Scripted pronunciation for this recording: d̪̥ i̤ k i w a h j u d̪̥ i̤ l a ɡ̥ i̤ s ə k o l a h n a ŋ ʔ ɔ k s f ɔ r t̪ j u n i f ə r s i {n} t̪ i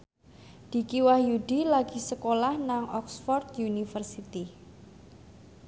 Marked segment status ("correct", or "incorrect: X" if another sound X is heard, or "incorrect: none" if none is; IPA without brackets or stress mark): incorrect: none